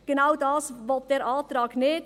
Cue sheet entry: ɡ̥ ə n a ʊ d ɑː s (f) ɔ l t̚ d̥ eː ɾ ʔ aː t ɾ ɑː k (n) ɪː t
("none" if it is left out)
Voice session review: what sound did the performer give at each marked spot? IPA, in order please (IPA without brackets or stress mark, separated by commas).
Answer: v, n